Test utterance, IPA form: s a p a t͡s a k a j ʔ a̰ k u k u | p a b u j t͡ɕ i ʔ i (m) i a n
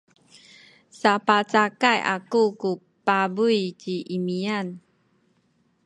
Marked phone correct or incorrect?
correct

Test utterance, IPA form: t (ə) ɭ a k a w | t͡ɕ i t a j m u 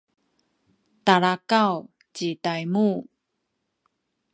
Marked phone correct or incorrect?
incorrect: a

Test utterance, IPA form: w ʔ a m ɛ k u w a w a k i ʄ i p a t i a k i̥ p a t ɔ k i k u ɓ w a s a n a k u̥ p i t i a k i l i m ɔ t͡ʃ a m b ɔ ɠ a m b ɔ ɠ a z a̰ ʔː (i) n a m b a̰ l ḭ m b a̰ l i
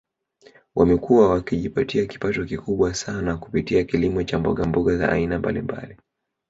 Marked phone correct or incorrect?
correct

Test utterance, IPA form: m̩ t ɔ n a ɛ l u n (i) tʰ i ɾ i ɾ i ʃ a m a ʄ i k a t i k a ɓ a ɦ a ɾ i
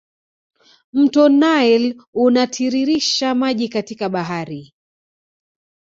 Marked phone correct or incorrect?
incorrect: a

